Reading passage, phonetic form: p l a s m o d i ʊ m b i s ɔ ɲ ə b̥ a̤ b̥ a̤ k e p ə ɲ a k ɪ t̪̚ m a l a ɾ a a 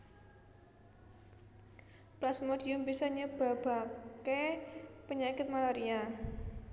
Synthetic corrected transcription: p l a s m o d i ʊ m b i s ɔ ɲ ə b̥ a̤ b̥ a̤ k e p ə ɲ a k ɪ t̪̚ m a l a ɾ i a

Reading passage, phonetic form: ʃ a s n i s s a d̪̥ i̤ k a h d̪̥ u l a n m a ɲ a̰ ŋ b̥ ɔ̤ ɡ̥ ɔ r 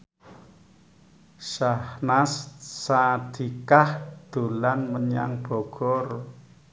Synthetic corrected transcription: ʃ a h n a s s a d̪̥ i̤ k a h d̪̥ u l a n m ə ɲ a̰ ŋ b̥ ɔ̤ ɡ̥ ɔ r

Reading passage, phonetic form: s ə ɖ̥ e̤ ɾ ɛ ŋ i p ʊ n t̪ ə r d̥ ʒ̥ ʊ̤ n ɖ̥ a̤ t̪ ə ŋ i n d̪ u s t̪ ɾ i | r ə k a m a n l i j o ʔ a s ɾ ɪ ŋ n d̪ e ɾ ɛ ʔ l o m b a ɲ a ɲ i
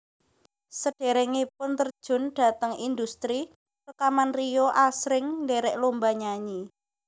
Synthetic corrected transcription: s ə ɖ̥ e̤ ɾ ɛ ŋ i p ʊ n t̪ ə r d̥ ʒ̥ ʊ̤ n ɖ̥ a̤ t̪ ə ŋ i n d̪ u s t̪ ɾ i | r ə k a m a n r i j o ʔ a s ɾ ɪ ŋ n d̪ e ɾ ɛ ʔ l o m b a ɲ a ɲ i

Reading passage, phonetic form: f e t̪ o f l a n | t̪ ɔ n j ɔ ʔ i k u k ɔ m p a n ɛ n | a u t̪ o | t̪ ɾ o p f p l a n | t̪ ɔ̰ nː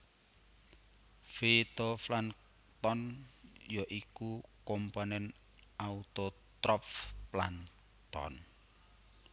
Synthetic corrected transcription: f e t̪ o f l a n | t̪ ɔ n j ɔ ʔ i k u k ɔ m p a n ɛ n | a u t̪ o | t̪ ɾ ɔ p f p l a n | t̪ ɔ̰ n

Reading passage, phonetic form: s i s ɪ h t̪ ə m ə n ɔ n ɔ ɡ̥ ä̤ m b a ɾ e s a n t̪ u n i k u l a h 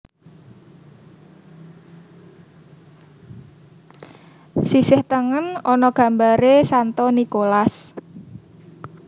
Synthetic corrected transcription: s i s ɪ h t̪ ə ŋ ə n ɔ n ɔ ɡ̥ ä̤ m b a ɾ e s a n t̪ ɔ n i k o l a s

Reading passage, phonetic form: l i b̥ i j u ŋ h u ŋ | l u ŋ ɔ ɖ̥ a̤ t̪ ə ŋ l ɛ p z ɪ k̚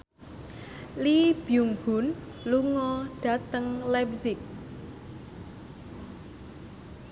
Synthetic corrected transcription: l i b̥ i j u ŋ h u n | l u ŋ ɔ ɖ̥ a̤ t̪ ə ŋ l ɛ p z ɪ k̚

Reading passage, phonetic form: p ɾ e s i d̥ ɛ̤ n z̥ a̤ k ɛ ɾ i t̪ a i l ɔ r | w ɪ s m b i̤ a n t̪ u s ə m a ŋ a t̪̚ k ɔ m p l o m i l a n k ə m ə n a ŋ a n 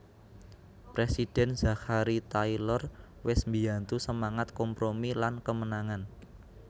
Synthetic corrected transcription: p ɾ e s i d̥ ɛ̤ n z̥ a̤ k a ɾ i t̪ a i l ɔ r | w ɪ s m b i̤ a n t̪ u s ə m a ŋ a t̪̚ k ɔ m p ɾ o m i l a n k ə m ə n a ŋ a n

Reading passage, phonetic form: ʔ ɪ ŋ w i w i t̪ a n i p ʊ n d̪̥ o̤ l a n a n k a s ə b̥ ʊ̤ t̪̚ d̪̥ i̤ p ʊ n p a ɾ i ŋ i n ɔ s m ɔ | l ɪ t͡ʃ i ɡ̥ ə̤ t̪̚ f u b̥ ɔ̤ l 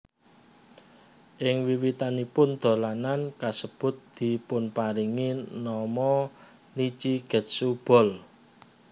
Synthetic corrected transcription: ʔ ɪ ŋ w i w i t̪ a n i p ʊ n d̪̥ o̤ l a n a n k a s ə b̥ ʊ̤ t̪̚ d̪̥ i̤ p ʊ n p a ɾ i ŋ i n ɔ m ɔ | l i t͡ʃ i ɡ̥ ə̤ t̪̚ s u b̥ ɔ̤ l

